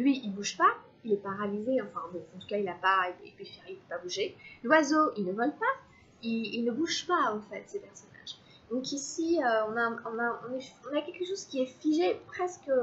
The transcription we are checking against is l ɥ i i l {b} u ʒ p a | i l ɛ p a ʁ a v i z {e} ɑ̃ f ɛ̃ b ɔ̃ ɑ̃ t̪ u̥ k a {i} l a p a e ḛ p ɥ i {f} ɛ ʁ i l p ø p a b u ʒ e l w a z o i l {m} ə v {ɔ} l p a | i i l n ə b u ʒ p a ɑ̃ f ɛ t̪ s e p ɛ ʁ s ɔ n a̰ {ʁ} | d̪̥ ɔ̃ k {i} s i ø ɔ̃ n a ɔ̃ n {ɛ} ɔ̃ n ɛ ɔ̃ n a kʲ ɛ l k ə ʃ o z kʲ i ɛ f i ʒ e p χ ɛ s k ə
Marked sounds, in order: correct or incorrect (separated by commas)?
correct, correct, correct, correct, incorrect, correct, incorrect, correct, incorrect